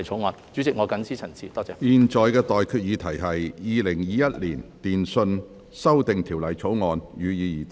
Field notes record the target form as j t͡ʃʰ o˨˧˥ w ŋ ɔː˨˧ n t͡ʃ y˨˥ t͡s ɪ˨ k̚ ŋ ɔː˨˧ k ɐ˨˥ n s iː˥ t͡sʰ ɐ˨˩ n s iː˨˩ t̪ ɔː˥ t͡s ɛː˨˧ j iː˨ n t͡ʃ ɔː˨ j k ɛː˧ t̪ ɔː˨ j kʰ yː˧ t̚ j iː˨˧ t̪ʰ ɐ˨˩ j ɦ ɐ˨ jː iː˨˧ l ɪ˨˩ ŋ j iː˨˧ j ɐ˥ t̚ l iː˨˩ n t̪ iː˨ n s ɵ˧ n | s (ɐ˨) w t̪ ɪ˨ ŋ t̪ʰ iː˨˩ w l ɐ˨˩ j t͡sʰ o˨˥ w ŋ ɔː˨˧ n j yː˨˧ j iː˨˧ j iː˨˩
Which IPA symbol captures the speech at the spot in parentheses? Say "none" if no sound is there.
ɐ˥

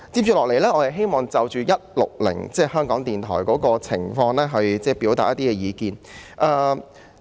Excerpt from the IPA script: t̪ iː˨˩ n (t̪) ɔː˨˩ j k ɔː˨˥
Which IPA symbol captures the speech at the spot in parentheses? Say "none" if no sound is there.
t̪ʰ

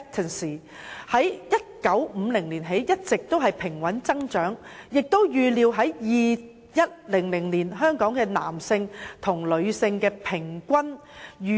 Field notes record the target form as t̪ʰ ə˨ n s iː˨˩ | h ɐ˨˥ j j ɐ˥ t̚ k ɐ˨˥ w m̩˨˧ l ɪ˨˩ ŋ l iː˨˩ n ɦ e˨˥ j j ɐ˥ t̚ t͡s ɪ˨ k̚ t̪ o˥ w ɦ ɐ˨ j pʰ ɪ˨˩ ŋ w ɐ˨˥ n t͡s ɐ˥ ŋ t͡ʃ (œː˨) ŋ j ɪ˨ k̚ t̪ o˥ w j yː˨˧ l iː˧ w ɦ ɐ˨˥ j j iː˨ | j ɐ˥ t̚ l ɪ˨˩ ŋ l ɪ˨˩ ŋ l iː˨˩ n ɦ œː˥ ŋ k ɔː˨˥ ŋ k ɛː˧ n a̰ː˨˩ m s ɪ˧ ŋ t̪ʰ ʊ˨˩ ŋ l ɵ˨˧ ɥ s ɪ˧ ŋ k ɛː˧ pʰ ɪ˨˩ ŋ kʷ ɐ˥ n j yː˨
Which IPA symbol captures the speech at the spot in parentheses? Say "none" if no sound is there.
œː˨˥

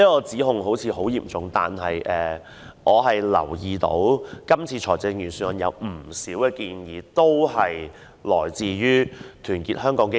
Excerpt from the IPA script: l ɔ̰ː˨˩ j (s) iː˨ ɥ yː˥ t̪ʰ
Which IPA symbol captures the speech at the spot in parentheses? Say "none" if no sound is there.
t͡s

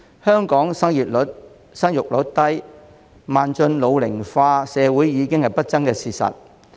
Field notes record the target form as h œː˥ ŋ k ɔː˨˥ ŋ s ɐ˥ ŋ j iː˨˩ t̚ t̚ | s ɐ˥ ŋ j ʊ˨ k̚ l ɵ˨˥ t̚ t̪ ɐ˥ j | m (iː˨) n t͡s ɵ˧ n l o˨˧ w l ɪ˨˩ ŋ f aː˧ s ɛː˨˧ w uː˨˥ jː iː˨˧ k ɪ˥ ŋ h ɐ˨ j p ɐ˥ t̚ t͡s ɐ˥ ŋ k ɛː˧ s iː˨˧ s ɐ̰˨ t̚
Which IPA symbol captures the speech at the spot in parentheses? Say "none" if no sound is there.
aː˨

